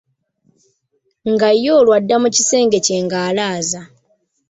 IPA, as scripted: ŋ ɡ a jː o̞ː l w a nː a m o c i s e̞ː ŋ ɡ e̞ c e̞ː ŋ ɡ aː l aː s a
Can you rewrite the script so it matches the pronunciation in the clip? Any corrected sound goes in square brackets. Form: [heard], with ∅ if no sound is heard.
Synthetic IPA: ŋ ɡ a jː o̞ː l w a [dː] a m [u] c i s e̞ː ŋ ɡ e̞ c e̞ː ŋ ɡ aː l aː [z] a